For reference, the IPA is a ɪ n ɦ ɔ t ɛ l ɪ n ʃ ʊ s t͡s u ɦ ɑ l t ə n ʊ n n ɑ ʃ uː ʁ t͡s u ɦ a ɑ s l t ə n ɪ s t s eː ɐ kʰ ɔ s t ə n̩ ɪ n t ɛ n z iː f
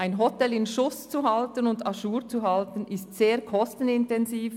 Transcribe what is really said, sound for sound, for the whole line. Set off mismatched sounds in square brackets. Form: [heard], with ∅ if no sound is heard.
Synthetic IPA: a ɪ n ɦ ɔ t ɛ l ɪ n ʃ ʊ s t͡s u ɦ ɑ l t ə n ʊ n [d] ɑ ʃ uː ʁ t͡s u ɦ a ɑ [∅] l t ə n ɪ s t s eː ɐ kʰ ɔ s t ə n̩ ɪ n t ɛ n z iː f